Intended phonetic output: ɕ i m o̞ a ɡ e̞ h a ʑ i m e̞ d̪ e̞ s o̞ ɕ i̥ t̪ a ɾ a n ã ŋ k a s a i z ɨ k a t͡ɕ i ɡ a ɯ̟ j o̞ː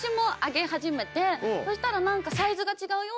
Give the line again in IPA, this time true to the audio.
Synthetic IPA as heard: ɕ i m o̞ a ɡ e̞ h a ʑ i m e̞ t̪ e̞ s o̞ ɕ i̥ t̪ a ɾ a n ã ŋ k a s a i z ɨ ɡ a t͡ɕ i ɡ a ɯ̟ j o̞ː